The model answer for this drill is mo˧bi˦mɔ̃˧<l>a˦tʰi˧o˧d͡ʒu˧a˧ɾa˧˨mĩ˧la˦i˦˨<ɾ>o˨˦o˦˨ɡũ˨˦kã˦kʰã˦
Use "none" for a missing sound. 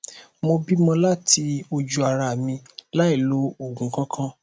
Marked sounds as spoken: l, l

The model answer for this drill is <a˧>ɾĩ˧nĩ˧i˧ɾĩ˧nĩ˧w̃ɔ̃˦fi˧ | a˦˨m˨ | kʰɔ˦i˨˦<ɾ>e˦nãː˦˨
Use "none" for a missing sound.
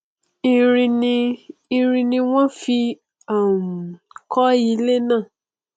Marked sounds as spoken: i˧, l

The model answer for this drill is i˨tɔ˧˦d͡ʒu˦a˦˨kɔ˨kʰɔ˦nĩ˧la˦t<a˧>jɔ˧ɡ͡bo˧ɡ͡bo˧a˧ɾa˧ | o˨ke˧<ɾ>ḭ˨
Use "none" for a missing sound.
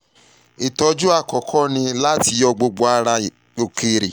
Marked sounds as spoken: i˧, ɾ

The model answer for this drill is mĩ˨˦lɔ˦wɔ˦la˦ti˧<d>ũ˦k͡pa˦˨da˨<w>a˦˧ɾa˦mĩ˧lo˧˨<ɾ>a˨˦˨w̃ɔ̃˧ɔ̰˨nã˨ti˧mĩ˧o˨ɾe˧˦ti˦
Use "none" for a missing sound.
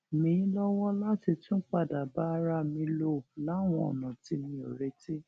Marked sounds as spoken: t, b, l

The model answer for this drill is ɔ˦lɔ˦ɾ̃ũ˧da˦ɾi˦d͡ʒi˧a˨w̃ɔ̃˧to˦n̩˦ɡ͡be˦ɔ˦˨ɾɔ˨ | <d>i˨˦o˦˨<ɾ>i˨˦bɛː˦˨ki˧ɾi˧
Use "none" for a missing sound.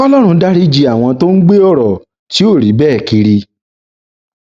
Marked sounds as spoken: t, ɾ

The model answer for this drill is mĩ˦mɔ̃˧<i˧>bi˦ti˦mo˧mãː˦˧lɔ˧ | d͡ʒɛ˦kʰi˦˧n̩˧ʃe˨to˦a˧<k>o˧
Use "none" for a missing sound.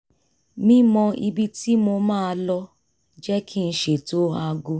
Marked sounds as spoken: i˧, ɡ

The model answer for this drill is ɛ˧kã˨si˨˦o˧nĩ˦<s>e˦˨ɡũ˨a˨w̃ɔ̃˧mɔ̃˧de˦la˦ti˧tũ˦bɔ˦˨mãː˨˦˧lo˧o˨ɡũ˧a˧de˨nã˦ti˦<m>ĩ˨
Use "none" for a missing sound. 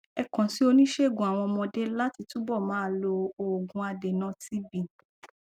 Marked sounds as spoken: ʃ, b

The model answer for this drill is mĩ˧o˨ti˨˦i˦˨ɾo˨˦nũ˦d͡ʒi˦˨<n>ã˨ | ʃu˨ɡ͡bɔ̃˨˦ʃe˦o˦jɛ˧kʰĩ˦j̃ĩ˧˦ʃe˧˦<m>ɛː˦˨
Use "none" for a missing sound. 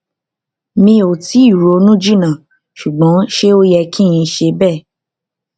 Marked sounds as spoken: n, b

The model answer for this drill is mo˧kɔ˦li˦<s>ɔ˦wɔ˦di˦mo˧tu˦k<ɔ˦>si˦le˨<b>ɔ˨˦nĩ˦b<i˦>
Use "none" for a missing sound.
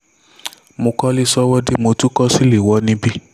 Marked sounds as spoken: s, ɔ˦, w, i˦

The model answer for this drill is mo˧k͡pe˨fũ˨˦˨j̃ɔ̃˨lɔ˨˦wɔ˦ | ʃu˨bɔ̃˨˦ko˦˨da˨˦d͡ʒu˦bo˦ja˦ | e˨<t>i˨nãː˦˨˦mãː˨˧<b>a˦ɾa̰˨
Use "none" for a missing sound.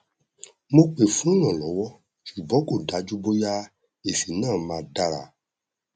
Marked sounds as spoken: s, d

